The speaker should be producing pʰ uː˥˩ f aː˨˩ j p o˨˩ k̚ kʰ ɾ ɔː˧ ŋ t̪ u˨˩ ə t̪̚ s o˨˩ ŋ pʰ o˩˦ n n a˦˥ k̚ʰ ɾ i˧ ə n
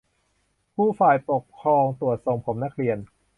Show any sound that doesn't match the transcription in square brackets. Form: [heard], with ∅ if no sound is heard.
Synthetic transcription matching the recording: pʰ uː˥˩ f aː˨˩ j p o˨˩ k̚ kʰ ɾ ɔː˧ ŋ t̪ u˨˩ ə t̪̚ s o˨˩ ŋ pʰ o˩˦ [m] n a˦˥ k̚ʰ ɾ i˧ ə n